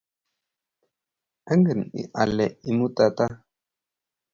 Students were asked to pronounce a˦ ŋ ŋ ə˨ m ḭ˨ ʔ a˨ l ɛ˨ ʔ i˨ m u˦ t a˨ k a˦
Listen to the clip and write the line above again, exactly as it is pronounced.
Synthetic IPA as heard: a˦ ŋ ɡ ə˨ n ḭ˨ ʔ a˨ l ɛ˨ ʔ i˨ m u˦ t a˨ t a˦